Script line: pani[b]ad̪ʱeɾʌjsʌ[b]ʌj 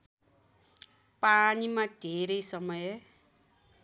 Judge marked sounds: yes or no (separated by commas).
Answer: no, no